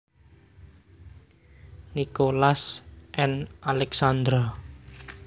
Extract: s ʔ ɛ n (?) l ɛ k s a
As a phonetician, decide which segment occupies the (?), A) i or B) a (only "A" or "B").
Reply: B